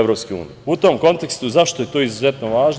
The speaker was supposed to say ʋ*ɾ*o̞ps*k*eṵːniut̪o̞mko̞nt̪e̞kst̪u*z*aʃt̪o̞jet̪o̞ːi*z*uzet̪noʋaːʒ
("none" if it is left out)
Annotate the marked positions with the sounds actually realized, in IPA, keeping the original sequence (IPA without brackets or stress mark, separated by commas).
ɾ, k, z, z